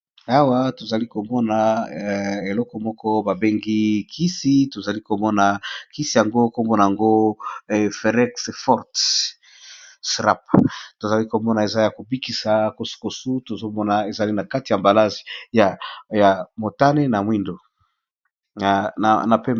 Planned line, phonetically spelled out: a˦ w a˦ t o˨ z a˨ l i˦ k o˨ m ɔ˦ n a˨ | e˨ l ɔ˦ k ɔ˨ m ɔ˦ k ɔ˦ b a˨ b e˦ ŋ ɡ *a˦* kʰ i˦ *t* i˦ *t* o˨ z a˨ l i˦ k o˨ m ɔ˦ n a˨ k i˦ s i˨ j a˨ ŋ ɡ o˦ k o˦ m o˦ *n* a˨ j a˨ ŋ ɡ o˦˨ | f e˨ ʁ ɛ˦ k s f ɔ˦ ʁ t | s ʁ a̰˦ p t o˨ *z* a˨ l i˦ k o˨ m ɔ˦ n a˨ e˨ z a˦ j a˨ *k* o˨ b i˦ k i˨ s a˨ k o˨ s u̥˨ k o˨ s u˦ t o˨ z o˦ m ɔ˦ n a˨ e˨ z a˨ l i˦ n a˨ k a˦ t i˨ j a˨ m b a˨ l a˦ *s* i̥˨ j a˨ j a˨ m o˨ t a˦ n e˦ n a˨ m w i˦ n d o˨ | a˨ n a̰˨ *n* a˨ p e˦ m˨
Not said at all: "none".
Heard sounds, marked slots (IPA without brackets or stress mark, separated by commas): i˦, s, t, n, z, k, z, n